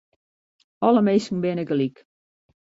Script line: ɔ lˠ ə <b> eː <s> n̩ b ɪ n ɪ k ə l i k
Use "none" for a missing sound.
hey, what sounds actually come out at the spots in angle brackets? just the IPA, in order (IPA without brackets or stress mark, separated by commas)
m, s